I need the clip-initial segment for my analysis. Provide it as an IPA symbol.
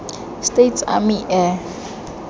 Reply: s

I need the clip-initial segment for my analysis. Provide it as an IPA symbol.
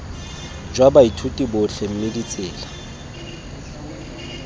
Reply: d͡ʒ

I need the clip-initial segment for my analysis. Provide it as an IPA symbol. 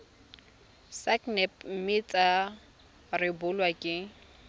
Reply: s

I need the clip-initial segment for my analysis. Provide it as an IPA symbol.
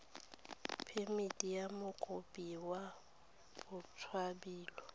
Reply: pʰ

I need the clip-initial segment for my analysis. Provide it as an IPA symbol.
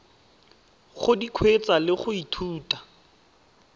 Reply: χ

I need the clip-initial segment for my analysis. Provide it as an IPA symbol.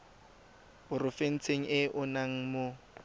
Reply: ʊ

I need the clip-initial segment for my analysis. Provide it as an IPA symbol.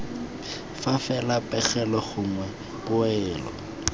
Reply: f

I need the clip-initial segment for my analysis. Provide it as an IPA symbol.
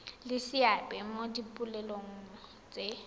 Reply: l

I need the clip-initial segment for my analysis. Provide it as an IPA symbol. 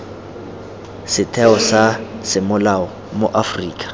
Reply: s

